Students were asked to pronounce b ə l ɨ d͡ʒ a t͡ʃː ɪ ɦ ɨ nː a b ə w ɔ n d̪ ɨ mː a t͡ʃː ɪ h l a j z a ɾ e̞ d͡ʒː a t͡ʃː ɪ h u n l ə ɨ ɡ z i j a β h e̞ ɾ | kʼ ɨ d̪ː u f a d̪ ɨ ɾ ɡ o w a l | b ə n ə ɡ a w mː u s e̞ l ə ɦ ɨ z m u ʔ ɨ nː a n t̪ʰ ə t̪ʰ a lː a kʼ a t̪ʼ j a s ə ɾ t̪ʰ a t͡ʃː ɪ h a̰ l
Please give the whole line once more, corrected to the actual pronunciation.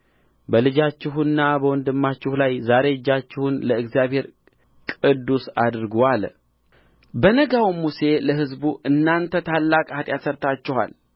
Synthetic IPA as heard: b ə l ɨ d͡ʒ a t͡ʃː ɪ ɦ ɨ nː a b ə w ɔ n d̪ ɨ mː a t͡ʃː ɪ h l a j z a ɾ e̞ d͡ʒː a t͡ʃː ɪ h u n l ə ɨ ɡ z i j a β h e̞ ɾ | kʼ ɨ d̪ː u s a d̪ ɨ ɾ ɡ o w a l | b ə n ə ɡ a w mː u s e̞ l ə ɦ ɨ z b u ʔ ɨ nː a n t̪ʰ ə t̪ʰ a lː a kʼ a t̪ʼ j a s ə ɾ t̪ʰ a t͡ʃː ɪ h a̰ l